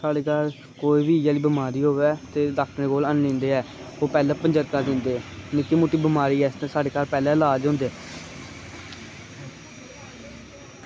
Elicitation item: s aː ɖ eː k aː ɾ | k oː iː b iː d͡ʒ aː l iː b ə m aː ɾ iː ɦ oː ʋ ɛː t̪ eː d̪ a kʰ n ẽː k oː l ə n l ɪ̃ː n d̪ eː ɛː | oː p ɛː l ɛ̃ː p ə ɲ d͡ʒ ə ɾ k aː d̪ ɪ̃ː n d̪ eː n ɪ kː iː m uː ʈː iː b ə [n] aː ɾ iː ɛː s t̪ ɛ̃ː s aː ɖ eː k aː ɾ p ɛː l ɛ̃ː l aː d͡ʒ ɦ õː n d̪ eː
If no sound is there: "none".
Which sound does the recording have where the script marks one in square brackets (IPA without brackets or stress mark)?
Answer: m